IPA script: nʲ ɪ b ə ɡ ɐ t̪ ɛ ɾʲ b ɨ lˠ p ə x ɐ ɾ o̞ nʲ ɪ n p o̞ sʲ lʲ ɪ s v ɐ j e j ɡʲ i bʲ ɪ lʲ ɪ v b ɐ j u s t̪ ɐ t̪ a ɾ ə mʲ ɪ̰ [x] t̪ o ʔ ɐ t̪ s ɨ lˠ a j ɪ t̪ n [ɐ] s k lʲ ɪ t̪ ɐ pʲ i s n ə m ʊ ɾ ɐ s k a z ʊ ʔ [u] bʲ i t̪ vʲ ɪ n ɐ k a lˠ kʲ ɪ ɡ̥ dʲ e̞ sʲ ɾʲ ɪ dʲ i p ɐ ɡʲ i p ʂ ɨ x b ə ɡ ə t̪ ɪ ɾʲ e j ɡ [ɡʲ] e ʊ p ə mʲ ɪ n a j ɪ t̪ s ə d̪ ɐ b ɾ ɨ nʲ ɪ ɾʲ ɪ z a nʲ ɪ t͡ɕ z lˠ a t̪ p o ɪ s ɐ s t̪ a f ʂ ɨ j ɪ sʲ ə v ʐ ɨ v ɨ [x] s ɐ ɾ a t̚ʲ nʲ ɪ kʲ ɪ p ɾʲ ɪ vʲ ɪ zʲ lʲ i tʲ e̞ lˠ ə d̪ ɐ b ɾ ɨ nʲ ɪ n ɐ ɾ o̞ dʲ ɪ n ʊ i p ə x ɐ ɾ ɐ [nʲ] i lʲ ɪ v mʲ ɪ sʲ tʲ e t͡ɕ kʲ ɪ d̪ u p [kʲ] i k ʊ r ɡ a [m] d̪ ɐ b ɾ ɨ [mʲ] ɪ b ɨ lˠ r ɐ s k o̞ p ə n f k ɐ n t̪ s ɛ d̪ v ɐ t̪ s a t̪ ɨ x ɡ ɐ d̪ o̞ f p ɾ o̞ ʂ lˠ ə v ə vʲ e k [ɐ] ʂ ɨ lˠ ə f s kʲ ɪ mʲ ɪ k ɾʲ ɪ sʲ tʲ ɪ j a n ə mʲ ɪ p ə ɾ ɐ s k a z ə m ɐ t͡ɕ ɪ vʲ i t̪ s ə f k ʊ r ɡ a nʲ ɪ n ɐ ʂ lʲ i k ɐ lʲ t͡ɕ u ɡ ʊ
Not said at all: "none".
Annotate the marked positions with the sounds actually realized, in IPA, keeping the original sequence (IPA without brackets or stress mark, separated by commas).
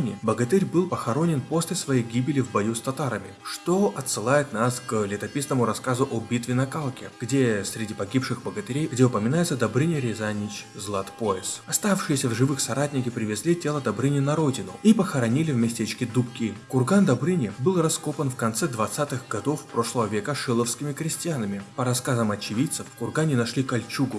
ʂ, a, o, dʲ, x, nʲ, kʲ, n, nʲ, ə